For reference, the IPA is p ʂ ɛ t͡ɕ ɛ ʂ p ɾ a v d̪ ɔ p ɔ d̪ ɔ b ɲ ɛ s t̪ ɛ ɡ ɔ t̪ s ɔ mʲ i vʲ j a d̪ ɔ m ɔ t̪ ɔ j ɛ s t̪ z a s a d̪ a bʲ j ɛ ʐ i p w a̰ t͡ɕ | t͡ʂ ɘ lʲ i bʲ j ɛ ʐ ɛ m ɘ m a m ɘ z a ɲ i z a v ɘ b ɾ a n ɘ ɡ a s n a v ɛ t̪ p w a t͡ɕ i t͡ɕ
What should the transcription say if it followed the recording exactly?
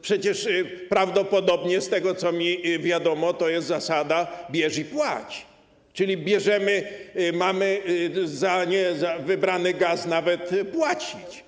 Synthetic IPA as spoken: p ʂ ɛ t͡ɕ ɛ ʂ p ɾ a v d̪ ɔ p ɔ d̪ ɔ b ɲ ɛ s t̪ ɛ ɡ ɔ t̪ s ɔ mʲ i vʲ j a d̪ ɔ m ɔ t̪ ɔ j ɛ s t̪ z a s a d̪ a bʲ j ɛ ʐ i p w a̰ t͡ɕ | t͡ʂ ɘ lʲ i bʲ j ɛ ʐ ɛ m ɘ m a m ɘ z a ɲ ɛ z a v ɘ b ɾ a n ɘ ɡ a s n a v ɛ t̪ p w a t͡ɕ i t͡ɕ